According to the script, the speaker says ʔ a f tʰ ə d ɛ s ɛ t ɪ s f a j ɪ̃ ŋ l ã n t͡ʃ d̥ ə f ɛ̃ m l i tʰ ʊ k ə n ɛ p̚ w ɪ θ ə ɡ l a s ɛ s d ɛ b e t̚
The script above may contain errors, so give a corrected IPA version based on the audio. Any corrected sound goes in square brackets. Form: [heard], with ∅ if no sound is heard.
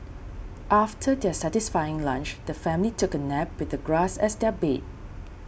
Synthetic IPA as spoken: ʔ a f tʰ ə d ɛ s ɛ t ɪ s f a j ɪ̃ ŋ l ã n t͡ʃ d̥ ə f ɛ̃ m l i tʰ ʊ k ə n ɛ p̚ w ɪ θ ə ɡ [ɹ] a s ɛ s d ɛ b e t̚